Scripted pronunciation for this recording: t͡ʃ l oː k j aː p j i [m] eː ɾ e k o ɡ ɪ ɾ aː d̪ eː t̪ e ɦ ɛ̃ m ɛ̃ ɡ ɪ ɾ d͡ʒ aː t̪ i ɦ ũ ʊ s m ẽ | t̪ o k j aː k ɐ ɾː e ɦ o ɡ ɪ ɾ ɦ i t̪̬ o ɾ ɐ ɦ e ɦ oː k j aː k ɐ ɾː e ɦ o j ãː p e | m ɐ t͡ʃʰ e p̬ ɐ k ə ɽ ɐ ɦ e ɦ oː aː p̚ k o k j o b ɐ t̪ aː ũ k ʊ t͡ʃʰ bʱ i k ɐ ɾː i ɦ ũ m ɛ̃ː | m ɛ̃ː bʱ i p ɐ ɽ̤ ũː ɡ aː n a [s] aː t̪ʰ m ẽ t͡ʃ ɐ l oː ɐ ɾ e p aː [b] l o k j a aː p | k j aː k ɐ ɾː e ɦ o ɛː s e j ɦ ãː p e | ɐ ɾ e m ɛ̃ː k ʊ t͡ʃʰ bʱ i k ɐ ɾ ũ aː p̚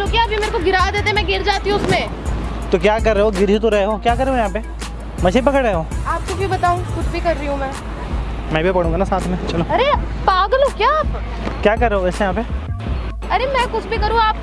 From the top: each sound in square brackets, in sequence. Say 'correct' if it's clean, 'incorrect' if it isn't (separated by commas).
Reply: correct, correct, incorrect